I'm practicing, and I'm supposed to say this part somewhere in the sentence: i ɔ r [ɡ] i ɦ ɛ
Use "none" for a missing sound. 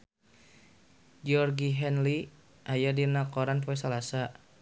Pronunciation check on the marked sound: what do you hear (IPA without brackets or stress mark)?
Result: ɡ